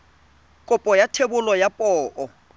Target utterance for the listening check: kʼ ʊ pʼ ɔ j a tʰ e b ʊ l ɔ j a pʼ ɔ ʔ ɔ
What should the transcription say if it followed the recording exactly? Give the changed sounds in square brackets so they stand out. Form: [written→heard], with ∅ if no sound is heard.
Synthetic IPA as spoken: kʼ ʊ pʼ ɔ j a tʰ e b ʊ l ɔ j a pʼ [ɔ→ɔː] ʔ ɔ